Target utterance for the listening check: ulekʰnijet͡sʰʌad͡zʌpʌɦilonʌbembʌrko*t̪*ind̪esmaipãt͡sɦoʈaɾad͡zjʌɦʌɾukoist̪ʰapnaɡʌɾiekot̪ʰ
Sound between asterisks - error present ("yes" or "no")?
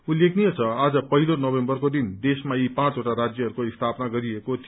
yes